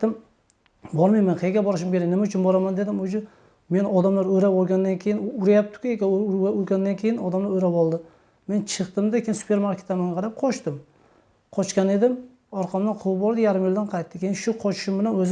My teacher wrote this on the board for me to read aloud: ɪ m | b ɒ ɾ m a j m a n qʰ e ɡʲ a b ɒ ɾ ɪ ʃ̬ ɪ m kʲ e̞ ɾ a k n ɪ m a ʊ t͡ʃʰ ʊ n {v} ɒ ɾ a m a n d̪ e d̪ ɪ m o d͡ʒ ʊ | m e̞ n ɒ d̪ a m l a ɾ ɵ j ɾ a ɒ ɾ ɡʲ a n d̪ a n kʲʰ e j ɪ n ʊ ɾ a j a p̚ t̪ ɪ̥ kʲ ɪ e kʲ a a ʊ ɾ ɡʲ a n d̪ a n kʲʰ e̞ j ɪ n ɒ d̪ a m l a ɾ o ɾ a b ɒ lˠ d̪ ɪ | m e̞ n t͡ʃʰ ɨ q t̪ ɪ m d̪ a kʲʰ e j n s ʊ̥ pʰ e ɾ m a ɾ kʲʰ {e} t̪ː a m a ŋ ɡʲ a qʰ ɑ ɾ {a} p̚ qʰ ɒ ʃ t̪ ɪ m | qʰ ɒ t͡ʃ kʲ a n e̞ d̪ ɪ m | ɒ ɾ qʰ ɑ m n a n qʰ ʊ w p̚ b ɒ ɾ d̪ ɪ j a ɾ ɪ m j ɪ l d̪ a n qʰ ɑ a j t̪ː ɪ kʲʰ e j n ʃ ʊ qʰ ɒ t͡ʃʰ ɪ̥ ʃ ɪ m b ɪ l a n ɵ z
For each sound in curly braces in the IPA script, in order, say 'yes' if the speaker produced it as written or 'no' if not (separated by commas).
no, yes, yes